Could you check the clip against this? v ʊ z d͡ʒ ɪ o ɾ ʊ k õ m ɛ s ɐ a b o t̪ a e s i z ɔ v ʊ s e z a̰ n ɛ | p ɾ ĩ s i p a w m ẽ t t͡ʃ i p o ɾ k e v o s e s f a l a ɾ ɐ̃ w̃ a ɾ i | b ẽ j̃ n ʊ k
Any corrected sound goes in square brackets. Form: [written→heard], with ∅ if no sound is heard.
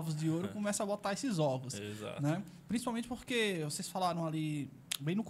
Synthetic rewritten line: v ʊ z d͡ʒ ɪ o ɾ ʊ k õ m ɛ s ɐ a b o t̪ a e s [i→ɪ] z ɔ v ʊ s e z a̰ n ɛ | p ɾ ĩ s i p a w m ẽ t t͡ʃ [i→ɪ] p o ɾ k e v o s e s f a l a ɾ ɐ̃ w̃ a [ɾ→l] i | b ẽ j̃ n ʊ k